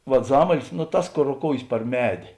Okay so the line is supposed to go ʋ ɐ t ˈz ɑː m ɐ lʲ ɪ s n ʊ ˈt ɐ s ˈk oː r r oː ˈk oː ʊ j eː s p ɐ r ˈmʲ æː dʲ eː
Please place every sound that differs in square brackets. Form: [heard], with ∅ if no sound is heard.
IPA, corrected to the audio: ʋ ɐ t ˈz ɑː m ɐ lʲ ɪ s n ʊ ˈt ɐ s ˈk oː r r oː ˈk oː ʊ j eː s p ɐ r ˈmʲ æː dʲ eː